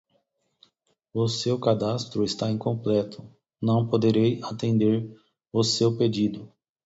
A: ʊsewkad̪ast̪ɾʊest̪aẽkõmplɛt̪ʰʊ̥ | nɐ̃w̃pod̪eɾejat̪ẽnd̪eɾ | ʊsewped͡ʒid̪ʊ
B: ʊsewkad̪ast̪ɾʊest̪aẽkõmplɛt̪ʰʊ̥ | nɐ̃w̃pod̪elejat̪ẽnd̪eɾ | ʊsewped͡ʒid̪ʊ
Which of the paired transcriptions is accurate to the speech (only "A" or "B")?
A